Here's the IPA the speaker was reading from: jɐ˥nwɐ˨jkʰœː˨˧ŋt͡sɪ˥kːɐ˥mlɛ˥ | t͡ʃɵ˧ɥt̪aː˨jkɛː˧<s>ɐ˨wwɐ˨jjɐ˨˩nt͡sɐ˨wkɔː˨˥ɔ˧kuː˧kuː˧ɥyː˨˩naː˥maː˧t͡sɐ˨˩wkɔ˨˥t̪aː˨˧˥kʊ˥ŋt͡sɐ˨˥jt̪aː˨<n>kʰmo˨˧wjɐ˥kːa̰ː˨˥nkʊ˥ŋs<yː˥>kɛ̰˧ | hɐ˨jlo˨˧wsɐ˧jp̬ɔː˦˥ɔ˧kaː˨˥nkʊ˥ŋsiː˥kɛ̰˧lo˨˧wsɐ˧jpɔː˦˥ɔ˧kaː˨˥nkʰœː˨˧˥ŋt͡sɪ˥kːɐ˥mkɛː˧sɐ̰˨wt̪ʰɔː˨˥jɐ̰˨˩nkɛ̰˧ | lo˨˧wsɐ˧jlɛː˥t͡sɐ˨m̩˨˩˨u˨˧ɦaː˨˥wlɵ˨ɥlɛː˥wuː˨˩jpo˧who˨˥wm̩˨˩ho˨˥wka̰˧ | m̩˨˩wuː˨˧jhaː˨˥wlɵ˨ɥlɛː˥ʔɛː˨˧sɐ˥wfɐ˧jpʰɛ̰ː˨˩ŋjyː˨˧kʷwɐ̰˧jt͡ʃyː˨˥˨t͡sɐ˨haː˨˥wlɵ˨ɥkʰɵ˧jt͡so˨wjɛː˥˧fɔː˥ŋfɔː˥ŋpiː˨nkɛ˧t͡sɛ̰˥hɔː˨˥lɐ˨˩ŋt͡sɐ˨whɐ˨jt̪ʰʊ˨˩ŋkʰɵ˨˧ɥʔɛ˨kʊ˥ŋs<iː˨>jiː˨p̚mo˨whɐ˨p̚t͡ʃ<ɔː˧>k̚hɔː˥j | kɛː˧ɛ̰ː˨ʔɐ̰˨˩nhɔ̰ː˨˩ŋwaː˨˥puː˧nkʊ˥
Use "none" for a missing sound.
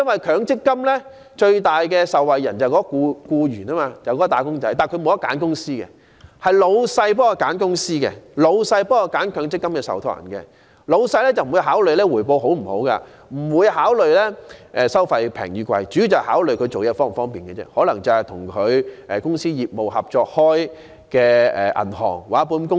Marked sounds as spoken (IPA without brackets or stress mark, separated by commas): s, n, iː˥, iː˥, ɔː˧